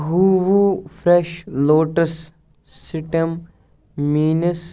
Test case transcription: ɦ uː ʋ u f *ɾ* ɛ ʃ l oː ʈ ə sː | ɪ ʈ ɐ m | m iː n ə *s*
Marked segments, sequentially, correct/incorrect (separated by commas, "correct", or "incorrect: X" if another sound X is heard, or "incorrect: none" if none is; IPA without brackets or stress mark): correct, correct